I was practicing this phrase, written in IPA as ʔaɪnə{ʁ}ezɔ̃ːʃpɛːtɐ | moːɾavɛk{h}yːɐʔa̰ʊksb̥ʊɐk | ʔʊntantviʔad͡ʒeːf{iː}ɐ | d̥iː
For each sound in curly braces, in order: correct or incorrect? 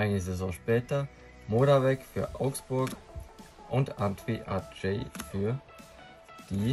incorrect: z, incorrect: f, incorrect: yː

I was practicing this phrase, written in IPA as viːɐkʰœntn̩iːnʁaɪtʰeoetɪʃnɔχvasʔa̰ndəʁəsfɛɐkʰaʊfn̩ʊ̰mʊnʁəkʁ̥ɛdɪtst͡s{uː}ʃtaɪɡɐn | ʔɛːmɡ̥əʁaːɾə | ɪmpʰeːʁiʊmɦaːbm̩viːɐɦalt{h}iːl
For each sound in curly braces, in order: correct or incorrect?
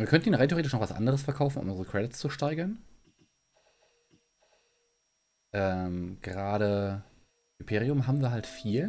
incorrect: u, incorrect: f

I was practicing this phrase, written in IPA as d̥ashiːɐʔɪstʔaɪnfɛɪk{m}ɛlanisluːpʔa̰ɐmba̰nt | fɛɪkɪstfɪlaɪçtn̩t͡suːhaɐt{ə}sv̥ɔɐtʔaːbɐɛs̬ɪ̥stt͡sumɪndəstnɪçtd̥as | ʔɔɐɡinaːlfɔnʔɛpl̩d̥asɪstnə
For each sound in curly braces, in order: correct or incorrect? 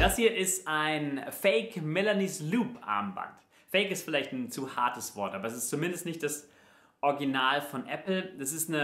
correct, correct

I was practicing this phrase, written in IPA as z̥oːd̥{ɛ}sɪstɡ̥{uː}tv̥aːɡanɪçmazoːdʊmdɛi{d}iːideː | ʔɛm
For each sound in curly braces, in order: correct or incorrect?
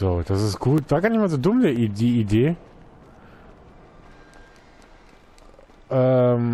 incorrect: a, correct, correct

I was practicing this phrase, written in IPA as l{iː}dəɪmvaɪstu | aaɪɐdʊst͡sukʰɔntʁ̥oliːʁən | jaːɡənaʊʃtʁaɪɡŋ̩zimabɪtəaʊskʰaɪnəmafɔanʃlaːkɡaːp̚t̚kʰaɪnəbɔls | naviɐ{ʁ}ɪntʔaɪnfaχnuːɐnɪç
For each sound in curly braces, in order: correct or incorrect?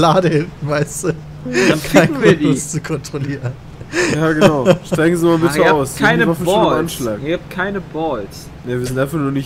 incorrect: aː, incorrect: z

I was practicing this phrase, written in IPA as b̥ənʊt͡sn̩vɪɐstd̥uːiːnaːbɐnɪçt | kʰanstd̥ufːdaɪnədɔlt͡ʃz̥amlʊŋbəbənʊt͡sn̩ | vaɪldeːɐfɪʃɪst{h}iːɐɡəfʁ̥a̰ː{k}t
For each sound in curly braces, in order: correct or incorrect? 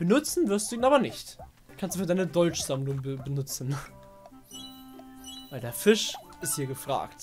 correct, correct

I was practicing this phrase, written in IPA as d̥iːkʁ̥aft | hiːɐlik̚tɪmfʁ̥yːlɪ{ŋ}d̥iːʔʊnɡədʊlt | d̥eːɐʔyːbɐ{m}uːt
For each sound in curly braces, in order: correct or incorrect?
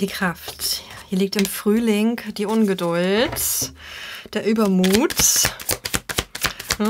correct, correct

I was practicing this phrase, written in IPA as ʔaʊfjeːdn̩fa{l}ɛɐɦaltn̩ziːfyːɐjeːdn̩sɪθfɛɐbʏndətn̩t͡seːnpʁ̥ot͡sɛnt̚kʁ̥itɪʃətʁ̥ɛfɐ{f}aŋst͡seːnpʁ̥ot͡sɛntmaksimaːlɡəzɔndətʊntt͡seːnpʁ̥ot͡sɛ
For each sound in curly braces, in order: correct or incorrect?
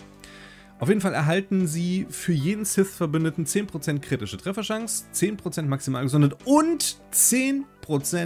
correct, incorrect: ʃ

